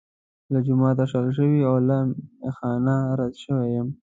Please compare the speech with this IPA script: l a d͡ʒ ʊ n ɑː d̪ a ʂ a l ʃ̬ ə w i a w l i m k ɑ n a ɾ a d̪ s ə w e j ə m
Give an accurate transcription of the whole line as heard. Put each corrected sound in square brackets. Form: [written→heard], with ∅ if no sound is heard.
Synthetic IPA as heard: l a d͡ʒ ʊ [n→m] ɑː [d̪→t̪] a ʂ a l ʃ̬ ə w i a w l [i→a] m [k→x] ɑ n a ɾ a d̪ [s→ʃ] ə w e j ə m